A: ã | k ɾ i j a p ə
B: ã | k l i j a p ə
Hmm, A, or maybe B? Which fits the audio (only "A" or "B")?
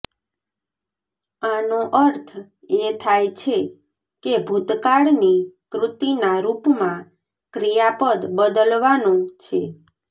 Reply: A